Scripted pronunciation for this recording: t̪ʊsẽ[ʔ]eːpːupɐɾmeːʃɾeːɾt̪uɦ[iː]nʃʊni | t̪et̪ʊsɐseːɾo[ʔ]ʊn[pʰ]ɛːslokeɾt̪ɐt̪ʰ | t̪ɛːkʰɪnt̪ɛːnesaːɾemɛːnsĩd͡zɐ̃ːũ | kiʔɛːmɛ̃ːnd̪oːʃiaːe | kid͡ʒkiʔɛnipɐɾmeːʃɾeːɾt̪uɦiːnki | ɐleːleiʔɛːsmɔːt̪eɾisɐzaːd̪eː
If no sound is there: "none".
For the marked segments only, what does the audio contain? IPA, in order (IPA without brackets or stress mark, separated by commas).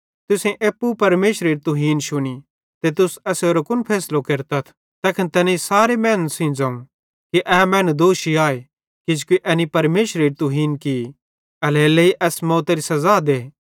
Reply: ʔ, iː, k, pʰ